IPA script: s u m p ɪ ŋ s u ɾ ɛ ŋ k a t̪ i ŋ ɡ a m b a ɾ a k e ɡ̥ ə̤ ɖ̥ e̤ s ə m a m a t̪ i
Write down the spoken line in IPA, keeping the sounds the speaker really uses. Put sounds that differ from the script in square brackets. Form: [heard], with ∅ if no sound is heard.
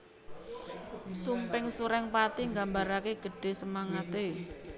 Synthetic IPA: s u m p ɪ ŋ s u ɾ ɛ ŋ [p] a t̪ i ŋ ɡ a m b a ɾ a k e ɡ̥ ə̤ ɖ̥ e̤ s ə m a [ŋ] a t̪ [e]